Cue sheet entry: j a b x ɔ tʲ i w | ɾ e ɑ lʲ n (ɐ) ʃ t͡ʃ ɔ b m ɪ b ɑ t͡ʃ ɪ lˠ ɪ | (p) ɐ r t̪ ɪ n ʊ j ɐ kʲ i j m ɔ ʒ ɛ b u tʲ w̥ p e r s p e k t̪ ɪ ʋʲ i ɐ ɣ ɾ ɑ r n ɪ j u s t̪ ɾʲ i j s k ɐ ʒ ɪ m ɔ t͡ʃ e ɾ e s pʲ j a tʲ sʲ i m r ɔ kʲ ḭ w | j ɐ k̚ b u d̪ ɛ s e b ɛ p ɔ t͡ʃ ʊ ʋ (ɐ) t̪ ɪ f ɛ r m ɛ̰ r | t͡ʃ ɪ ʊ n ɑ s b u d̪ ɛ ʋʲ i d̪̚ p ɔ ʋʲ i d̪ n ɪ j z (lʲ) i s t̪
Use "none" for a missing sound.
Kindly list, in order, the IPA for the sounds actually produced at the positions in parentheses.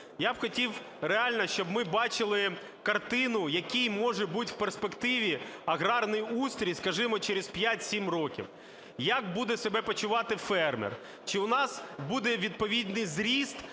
ɐ, k, ɑ, ɾʲ

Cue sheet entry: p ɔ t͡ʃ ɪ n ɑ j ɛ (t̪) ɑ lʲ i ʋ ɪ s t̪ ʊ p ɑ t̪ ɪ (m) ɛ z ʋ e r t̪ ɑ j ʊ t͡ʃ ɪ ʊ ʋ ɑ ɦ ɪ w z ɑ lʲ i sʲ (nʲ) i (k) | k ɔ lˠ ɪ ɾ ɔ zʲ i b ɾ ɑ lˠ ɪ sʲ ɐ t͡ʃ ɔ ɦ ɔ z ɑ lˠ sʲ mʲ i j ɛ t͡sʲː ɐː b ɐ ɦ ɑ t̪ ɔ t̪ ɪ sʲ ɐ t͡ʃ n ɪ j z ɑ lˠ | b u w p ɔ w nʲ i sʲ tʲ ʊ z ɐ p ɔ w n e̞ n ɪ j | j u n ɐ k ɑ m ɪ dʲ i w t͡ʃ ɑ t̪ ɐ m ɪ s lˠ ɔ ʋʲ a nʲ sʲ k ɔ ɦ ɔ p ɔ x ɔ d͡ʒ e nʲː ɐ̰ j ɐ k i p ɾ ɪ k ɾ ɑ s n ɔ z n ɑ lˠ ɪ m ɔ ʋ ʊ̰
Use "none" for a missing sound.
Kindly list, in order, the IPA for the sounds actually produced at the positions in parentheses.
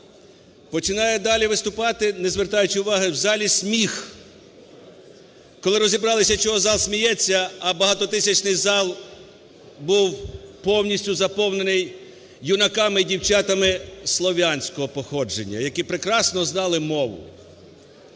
d̪, n, mʲ, x

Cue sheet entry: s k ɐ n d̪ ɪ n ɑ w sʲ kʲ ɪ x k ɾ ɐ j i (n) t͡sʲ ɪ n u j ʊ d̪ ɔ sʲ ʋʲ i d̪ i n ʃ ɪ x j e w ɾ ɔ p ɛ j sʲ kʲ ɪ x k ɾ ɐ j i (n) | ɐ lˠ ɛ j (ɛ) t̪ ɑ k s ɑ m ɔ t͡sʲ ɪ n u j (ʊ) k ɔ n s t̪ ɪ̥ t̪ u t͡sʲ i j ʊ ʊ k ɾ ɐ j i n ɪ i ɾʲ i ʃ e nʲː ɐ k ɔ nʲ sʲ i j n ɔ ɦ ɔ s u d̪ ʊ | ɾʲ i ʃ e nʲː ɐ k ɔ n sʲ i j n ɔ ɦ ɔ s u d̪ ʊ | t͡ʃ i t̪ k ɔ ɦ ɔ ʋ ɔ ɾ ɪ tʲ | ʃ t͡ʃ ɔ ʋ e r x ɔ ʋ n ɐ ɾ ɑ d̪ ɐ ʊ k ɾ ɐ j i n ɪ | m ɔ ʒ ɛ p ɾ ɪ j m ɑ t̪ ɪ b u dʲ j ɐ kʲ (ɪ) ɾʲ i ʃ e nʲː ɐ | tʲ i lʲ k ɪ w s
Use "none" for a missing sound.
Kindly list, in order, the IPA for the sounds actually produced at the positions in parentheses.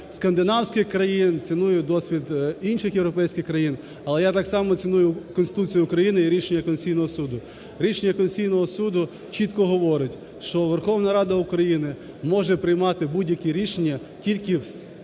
n, n, a, ʊ, i

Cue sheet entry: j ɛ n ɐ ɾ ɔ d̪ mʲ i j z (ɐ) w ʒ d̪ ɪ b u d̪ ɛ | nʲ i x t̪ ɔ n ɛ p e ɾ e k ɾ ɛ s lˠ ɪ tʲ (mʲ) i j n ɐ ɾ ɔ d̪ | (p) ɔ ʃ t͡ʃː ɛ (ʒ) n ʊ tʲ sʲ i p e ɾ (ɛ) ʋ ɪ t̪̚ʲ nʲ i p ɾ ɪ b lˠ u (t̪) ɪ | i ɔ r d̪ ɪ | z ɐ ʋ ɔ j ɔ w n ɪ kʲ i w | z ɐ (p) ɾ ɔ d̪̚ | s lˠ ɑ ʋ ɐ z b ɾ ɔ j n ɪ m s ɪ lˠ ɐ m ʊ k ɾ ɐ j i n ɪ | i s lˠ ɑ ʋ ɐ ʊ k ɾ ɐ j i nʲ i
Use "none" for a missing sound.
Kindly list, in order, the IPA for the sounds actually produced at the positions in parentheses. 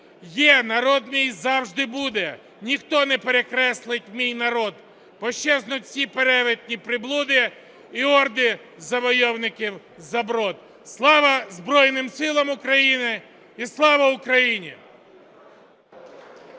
ɑ, mʲ, p, z, ɛ, d̪, b

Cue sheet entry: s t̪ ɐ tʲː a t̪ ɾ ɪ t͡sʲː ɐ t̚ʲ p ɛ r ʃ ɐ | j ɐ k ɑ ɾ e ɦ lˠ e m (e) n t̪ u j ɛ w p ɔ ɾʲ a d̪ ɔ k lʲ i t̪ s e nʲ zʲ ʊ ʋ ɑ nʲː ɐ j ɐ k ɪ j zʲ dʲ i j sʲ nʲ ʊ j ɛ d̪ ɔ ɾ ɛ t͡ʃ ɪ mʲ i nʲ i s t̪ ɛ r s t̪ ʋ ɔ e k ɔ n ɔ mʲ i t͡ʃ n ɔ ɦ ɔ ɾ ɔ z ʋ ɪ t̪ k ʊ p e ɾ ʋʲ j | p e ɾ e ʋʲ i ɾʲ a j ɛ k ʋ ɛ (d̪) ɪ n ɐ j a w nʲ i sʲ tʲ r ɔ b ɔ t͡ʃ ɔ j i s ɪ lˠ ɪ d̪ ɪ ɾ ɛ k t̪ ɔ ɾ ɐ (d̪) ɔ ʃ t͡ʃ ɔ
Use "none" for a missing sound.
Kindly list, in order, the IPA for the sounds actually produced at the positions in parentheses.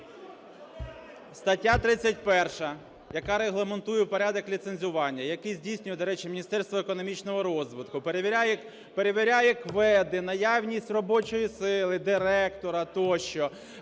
e, d̪, t̪

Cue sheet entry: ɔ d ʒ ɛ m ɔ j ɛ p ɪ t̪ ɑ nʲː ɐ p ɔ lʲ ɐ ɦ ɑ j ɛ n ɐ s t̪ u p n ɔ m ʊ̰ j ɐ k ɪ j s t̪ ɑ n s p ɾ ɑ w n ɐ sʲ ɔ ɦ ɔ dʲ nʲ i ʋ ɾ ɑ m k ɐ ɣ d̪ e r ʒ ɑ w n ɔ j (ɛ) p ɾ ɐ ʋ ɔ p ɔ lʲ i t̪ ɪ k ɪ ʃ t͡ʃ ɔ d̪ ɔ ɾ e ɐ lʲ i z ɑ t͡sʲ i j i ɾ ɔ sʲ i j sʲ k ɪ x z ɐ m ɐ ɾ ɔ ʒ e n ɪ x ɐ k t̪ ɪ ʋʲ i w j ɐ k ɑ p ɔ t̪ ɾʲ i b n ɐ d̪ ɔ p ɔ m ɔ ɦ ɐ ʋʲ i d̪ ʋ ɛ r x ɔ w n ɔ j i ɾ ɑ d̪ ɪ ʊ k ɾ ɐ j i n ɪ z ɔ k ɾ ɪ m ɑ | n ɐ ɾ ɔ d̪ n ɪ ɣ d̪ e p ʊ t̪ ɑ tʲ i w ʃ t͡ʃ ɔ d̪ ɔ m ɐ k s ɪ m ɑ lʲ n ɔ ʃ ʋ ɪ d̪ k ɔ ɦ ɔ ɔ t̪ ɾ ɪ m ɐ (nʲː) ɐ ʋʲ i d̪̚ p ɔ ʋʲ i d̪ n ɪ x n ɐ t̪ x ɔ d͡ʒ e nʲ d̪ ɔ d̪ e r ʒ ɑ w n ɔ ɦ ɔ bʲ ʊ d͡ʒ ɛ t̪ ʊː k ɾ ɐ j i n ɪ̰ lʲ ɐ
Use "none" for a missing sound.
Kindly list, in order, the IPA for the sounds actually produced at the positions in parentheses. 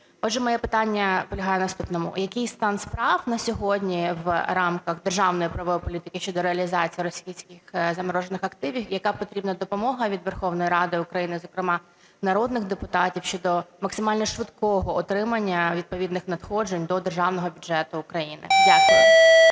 i, nʲː

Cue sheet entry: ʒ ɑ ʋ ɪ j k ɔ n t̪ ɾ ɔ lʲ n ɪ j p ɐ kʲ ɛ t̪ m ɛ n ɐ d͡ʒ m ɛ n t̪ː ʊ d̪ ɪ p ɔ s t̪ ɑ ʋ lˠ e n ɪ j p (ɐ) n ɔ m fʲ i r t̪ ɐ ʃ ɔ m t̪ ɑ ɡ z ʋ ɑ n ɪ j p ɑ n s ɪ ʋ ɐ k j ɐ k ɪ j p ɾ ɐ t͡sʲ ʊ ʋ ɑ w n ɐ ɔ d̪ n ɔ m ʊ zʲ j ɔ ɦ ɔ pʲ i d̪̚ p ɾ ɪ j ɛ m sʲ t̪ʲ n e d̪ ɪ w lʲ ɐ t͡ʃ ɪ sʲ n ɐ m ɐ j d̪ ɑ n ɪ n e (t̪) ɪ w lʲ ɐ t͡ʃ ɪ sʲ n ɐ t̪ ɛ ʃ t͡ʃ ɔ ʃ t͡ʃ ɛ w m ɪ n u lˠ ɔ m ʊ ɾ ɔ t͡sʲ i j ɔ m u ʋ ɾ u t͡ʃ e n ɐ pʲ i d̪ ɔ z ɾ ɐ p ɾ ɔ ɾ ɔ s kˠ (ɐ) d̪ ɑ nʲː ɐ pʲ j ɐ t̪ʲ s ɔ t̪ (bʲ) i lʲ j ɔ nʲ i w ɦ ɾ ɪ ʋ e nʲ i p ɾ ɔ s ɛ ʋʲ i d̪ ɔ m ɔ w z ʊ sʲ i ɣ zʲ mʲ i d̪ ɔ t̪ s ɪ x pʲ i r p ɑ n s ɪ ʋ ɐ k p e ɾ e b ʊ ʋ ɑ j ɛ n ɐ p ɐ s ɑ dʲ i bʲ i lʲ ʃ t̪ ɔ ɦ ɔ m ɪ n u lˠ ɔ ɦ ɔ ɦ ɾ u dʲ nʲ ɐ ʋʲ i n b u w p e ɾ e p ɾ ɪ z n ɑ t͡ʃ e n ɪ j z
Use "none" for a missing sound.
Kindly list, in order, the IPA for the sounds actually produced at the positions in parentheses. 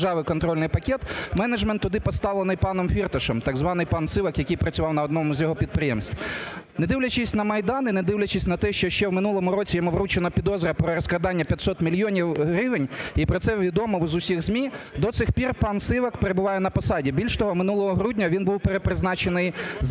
ɑ, d̪, ɐ, mʲ

